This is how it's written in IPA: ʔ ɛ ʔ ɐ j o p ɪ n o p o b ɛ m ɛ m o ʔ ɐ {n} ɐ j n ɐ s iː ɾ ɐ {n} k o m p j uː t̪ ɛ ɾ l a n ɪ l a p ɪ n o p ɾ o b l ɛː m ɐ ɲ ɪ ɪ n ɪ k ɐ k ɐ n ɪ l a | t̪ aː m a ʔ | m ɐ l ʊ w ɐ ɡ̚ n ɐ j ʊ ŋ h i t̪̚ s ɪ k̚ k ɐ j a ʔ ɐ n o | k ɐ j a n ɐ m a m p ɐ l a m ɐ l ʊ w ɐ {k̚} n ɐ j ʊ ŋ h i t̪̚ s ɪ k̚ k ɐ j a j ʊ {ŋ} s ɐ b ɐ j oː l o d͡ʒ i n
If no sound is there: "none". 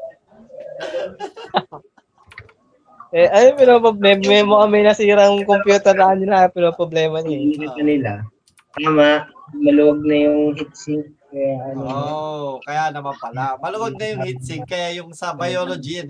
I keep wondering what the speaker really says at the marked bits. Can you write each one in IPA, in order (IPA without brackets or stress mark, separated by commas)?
m, ŋ, ɡ̚, ŋ